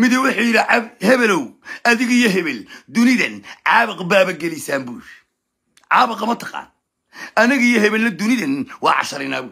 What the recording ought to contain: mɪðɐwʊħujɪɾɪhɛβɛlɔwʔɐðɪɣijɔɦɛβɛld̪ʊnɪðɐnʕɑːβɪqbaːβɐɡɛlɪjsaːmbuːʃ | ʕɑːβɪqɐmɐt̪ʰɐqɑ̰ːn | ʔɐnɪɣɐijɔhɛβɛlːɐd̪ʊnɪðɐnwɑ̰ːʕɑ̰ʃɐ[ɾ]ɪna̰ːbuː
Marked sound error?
no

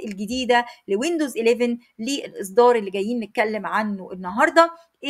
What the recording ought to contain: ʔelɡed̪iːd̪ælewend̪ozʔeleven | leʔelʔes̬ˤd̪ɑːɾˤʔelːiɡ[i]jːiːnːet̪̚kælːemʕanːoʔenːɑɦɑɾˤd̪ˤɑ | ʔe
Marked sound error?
yes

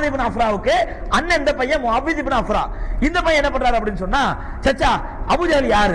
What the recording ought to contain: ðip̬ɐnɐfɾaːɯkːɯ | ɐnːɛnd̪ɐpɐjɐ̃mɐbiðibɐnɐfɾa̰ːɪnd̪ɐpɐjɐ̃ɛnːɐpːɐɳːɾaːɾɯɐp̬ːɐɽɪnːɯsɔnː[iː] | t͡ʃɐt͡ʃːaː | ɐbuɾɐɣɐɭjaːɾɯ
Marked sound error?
yes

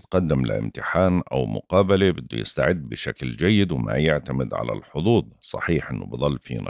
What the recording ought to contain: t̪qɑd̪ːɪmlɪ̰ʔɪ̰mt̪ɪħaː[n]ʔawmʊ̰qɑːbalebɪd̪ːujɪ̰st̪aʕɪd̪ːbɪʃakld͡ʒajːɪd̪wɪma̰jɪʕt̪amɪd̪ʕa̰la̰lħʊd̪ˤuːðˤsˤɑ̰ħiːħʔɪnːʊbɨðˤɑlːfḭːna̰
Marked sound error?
no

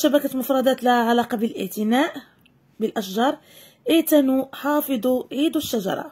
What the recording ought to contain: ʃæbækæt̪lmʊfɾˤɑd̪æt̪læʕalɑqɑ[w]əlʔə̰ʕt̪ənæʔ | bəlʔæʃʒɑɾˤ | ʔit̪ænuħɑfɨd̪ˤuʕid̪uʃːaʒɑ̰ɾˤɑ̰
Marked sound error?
yes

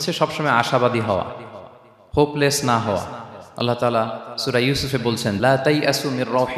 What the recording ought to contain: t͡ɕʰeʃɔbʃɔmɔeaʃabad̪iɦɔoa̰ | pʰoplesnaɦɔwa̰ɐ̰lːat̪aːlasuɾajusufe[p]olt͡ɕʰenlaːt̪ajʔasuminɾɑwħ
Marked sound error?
yes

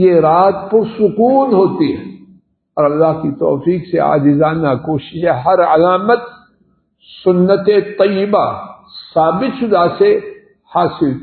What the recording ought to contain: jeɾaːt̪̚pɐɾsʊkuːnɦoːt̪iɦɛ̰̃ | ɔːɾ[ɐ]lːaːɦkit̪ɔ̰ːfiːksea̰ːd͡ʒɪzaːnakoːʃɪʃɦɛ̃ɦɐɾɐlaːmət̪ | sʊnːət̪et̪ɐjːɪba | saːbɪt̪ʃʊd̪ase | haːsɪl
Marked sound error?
no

